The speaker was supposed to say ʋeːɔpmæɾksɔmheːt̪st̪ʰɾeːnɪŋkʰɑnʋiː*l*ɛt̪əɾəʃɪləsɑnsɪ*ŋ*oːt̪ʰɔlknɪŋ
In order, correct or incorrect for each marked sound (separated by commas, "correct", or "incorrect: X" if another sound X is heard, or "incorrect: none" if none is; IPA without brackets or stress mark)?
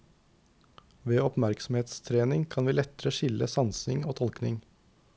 correct, correct